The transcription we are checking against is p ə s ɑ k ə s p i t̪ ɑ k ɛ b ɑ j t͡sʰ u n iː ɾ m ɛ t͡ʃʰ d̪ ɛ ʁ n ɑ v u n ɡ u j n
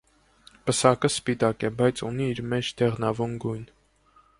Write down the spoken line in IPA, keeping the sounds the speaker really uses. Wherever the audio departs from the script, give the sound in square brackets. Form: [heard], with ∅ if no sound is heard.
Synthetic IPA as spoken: p ə s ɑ k ə s p i t̪ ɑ k ɛ b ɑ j t͡sʰ u n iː ɾ m ɛ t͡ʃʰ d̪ ɛ ʁ n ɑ v u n ɡ u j n